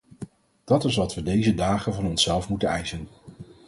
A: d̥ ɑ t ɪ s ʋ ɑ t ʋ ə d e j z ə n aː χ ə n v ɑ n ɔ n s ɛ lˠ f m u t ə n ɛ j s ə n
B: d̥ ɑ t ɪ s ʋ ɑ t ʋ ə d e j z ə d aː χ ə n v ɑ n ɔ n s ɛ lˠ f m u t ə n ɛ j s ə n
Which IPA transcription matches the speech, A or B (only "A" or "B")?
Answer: B